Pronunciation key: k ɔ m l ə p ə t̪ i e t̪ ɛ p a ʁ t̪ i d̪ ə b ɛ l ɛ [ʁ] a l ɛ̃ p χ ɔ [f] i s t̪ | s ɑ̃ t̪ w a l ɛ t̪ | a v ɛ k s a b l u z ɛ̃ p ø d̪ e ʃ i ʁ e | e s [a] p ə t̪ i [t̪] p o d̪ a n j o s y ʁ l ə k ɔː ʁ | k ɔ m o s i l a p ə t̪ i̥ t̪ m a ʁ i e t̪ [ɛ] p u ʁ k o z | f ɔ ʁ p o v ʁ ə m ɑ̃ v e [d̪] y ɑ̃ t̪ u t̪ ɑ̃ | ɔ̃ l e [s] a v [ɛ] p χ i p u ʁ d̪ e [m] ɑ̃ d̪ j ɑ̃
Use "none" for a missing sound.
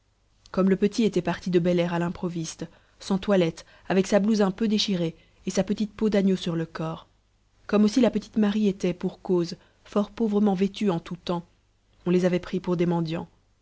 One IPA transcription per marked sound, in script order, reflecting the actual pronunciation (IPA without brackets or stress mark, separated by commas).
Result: ʁ, v, a, t̪, ɛ, t̪, z, ɛ, m